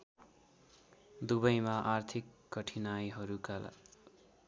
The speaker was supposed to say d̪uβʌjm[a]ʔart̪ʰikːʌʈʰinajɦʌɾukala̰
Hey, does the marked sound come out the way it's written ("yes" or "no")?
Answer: yes